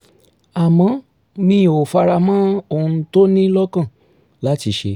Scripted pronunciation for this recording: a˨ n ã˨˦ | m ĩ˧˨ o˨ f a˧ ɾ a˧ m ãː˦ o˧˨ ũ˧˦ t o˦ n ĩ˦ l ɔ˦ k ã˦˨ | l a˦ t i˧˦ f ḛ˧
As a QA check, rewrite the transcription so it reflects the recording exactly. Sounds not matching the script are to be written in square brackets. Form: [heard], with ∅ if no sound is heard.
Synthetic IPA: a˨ [m] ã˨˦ | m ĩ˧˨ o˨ f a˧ ɾ a˧ m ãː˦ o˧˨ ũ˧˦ t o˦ n ĩ˦ l ɔ˦ k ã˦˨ | l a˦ t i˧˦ [ʃ] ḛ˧